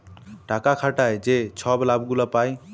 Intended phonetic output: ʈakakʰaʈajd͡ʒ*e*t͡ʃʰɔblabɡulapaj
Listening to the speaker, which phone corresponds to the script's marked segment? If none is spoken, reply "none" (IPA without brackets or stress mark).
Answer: e